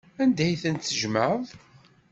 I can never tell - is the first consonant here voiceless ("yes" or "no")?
no